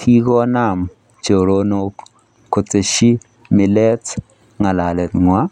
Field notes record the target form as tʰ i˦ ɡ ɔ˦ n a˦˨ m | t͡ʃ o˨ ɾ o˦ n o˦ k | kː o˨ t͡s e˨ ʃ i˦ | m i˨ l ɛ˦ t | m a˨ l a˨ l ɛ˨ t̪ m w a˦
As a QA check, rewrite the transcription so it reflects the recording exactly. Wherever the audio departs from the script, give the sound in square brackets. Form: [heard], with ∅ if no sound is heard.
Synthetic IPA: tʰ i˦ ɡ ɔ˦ n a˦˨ m | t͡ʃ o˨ ɾ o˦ n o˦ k | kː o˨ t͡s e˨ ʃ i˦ | m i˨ l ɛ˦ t | [ŋ] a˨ l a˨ l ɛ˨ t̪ [ŋ] w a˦